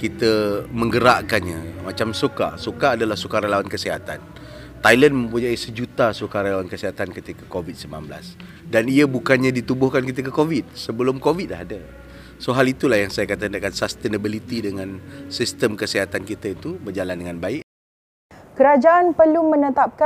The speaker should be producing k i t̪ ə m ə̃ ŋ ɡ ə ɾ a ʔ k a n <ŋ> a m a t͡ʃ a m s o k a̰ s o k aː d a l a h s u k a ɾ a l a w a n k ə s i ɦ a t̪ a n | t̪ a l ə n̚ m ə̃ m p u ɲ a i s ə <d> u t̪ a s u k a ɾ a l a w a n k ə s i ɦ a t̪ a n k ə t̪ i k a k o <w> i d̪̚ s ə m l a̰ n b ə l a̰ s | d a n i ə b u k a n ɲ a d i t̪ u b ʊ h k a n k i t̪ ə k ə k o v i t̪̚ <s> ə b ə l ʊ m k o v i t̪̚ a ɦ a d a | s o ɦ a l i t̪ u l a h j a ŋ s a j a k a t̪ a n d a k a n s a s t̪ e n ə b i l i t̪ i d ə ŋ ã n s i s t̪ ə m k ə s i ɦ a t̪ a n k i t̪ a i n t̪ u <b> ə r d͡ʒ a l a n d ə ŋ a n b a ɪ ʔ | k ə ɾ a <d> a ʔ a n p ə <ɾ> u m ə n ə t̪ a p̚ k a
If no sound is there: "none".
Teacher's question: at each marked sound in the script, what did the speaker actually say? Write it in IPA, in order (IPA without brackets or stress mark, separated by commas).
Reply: ɲ, d͡ʒ, v, s, b, d͡ʒ, l